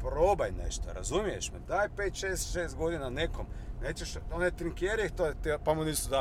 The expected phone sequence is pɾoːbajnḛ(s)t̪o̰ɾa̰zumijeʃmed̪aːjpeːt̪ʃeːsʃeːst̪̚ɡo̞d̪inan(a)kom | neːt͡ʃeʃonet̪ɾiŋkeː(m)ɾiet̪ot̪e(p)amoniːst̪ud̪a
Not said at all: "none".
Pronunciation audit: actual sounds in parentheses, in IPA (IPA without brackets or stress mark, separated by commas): ʃ, e, none, p